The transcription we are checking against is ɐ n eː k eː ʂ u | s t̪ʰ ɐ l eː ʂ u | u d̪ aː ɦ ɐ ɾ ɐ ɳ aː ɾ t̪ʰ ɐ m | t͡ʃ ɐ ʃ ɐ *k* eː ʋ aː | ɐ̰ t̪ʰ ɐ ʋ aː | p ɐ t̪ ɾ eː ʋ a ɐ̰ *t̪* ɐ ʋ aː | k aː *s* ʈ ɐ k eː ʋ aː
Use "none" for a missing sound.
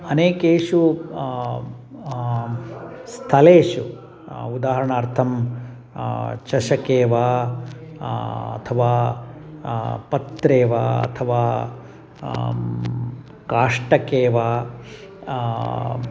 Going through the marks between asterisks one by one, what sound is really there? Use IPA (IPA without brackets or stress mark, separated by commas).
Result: k, t̪ʰ, ʂ